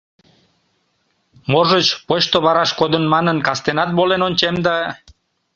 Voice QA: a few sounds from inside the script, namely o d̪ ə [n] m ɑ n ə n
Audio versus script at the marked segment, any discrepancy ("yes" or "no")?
no